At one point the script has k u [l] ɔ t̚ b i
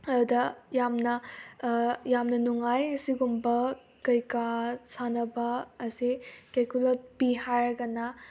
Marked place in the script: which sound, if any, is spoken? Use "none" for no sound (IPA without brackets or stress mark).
l